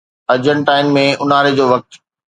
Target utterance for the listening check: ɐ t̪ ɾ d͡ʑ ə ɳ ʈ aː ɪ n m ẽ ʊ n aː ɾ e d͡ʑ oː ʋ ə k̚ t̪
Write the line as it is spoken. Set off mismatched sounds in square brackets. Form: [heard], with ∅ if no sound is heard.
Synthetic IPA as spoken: ɐ [∅] ɾ d͡ʑ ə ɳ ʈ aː ɪ n m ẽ ʊ n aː ɾ e d͡ʑ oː ʋ [ɐ] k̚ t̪